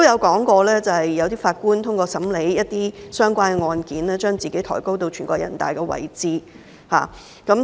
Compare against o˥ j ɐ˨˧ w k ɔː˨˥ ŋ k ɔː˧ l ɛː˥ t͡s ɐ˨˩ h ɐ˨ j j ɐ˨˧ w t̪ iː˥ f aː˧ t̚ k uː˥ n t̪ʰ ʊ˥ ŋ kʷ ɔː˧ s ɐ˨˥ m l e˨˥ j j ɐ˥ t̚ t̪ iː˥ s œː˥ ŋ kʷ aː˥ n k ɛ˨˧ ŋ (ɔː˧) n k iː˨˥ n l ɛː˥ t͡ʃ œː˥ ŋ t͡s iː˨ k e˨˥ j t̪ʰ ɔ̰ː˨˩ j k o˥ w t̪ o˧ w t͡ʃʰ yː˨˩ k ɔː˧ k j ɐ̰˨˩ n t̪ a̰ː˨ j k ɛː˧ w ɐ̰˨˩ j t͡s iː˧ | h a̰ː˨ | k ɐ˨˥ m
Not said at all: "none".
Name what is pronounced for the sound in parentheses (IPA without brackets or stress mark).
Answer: ɔː˧